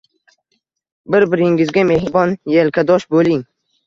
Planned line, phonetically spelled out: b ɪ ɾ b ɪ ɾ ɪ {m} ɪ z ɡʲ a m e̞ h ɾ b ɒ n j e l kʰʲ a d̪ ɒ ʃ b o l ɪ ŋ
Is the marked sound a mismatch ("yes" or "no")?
yes